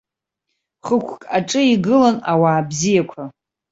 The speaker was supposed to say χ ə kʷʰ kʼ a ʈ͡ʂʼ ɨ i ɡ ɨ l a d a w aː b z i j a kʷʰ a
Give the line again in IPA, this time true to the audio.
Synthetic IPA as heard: χ ə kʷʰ kʼ a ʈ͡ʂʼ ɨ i ɡ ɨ l a n a w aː b z i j a kʷʰ a